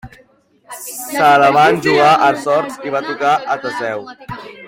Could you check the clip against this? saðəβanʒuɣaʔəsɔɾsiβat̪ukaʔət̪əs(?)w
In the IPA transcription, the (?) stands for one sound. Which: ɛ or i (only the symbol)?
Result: ɛ